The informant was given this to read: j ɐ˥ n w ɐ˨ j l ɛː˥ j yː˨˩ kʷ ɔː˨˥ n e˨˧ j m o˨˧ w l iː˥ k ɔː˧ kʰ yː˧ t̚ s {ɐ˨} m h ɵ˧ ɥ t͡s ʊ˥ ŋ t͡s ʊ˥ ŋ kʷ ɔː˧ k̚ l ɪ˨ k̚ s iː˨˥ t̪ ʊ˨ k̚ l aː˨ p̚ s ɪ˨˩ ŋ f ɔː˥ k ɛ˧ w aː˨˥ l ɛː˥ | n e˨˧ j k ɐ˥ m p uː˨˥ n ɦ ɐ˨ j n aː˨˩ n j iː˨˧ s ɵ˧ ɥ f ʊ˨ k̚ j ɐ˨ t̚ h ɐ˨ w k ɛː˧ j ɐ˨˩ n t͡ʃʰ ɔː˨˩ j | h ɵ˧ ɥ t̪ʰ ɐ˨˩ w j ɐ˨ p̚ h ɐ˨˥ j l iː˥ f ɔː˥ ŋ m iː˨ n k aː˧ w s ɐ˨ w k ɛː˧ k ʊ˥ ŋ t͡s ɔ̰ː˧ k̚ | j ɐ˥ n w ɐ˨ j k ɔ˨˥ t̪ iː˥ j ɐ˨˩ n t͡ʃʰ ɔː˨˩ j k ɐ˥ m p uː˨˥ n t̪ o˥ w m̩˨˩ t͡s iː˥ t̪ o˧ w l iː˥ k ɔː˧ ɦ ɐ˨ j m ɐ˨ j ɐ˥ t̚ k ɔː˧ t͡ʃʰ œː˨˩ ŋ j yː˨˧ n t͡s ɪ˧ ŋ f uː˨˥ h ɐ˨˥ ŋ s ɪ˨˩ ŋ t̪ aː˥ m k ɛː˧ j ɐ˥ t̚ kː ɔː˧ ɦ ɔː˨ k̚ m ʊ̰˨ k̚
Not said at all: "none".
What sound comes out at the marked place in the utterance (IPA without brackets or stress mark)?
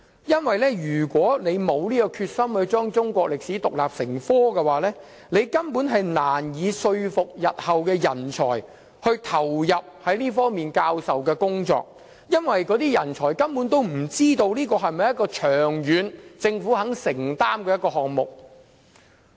ɐ˥